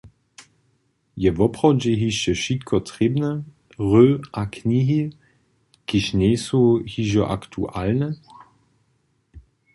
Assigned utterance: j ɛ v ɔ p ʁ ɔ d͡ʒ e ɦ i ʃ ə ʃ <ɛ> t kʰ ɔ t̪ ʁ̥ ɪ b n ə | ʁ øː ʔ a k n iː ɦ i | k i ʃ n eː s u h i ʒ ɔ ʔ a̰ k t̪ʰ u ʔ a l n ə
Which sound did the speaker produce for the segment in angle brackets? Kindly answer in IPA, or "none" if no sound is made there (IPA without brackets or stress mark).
i